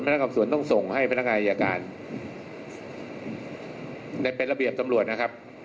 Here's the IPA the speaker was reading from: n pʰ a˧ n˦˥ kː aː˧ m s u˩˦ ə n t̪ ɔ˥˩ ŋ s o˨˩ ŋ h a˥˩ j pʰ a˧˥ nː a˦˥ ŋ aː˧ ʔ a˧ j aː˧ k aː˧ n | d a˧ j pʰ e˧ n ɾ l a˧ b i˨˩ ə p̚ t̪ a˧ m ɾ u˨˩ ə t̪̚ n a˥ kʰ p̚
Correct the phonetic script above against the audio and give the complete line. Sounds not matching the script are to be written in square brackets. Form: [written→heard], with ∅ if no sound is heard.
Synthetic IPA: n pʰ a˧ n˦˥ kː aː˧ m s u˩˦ ə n t̪ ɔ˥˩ ŋ s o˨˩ ŋ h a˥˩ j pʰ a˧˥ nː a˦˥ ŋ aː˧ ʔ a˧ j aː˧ k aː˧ n | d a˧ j [pʰ→p] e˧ n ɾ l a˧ b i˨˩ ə p̚ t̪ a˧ m ɾ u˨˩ ə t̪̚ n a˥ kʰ p̚